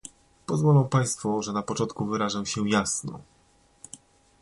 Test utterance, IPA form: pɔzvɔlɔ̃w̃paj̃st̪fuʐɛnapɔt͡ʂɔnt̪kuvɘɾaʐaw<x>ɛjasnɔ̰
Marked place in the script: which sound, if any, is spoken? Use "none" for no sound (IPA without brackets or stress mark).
ɕ